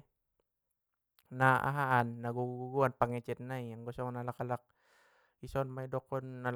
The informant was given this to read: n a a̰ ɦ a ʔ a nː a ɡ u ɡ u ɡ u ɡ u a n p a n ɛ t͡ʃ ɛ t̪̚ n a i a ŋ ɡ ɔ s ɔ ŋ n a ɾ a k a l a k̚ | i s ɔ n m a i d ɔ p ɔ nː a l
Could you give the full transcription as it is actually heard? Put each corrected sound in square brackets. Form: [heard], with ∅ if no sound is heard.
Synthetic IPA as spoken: n a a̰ ɦ a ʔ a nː a ɡ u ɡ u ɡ u ɡ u a n p a [ŋ] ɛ t͡ʃ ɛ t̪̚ n a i a ŋ ɡ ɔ s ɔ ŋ n a [l] a k a l a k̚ | i s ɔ n m a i d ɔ [k] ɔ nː a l